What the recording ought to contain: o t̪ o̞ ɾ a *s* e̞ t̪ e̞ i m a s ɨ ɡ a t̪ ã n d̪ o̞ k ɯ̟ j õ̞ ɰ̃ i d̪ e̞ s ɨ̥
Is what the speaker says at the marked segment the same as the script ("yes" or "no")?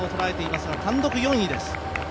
no